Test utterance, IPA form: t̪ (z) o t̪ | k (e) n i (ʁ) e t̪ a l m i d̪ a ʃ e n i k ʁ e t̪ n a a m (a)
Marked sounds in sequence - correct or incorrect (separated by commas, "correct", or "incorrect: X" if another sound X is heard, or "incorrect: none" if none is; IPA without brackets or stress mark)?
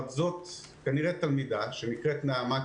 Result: correct, incorrect: a, correct, correct